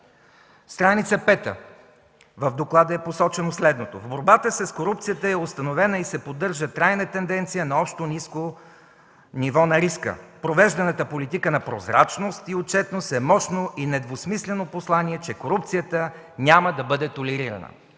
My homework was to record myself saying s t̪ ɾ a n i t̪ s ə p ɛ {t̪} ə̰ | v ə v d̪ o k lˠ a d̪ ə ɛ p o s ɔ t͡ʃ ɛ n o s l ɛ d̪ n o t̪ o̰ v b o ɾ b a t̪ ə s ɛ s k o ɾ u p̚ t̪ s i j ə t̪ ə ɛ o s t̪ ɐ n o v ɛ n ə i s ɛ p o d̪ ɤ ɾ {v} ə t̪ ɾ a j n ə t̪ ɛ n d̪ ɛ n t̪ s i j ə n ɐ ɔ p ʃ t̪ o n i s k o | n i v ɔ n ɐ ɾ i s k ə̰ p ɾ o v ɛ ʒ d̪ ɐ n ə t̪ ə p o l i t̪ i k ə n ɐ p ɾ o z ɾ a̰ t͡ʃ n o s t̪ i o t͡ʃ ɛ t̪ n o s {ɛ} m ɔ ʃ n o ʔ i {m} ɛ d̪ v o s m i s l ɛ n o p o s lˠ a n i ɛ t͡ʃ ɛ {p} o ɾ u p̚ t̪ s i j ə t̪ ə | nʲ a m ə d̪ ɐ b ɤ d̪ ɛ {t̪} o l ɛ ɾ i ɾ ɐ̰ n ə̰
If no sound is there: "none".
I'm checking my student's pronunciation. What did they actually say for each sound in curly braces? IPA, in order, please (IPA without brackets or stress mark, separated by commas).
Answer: t̪, ʒ, ɛ, n, k, t̪